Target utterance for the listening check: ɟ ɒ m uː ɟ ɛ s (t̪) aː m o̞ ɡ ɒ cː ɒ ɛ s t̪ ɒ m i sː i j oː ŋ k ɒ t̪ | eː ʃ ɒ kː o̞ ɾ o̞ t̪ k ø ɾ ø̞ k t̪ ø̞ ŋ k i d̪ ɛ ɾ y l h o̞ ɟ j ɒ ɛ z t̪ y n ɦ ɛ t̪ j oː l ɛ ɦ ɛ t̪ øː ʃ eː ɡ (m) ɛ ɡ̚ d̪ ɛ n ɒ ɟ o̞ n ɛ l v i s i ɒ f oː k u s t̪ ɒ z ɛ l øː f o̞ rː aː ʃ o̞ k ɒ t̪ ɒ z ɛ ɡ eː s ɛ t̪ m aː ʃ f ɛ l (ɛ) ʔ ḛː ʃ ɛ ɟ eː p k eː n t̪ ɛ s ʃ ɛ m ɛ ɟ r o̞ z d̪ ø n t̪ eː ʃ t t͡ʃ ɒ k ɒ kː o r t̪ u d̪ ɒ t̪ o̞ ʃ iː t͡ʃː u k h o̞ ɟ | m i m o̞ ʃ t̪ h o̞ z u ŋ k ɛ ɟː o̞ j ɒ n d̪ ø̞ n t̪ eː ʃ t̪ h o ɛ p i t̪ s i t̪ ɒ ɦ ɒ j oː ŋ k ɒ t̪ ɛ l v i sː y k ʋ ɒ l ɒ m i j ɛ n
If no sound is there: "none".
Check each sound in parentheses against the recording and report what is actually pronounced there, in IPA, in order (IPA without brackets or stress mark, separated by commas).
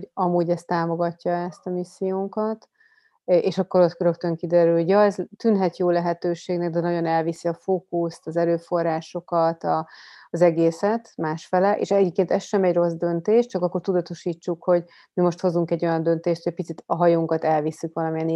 t̪, n, ɛ